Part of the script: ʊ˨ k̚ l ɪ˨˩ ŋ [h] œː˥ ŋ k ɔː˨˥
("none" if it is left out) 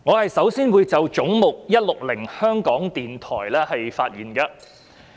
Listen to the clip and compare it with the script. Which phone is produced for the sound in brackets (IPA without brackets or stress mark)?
h